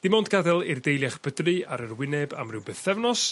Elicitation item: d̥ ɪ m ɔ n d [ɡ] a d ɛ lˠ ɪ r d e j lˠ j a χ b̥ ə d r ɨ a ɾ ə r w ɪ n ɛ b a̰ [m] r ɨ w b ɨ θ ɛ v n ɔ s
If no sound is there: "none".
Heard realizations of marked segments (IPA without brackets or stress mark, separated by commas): ɡ, m